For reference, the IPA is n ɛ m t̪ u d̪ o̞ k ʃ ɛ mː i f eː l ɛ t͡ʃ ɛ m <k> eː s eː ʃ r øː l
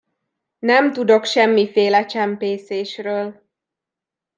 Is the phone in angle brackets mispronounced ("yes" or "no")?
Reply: yes